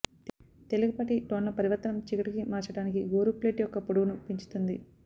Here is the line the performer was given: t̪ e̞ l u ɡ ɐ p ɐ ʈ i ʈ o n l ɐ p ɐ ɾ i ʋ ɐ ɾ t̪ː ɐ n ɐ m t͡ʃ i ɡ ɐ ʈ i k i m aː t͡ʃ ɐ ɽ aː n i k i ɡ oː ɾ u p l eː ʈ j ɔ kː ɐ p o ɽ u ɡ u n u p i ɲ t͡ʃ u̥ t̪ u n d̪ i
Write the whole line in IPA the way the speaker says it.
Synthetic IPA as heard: t̪ e̞ l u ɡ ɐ p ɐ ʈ i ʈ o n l ɐ p ɐ ɾ i ʋ ɐ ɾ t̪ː ɐ n ɐ m t͡ʃ i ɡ ɐ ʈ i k i m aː t͡ʃ ɐ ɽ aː n i k i ɡ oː ɾ u p l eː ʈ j ɔ kː ɐ p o ɽ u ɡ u n u p i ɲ t͡ʃ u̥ t̪ u n d̪ i